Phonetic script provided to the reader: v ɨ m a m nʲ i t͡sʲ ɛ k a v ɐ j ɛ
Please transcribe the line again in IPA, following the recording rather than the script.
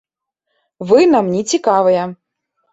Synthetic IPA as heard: v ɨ n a m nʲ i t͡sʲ i k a v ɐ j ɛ